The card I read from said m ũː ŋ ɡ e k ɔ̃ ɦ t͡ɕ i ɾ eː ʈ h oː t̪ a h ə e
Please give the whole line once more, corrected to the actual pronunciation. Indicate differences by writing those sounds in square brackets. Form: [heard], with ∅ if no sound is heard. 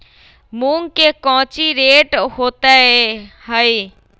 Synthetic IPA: m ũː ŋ [k] e k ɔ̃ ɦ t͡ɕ i ɾ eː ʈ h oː t̪ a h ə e